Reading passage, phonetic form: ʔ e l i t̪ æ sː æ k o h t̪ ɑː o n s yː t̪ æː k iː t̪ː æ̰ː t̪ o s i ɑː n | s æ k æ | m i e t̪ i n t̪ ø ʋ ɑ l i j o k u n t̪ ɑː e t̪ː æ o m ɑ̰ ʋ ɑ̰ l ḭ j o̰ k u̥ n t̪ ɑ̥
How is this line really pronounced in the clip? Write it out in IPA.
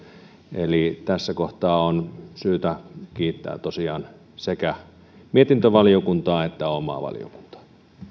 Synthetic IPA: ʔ e l i t̪ æ sː æ k o h t̪ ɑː o n s yː t̪ æ k iː t̪ː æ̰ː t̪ o s i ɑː n | s e k æ | m i e t̪ i n t̪ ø ʋ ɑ l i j o k u n t̪ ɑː e t̪ː æ o m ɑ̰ ʋ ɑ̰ l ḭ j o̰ k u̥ n t̪ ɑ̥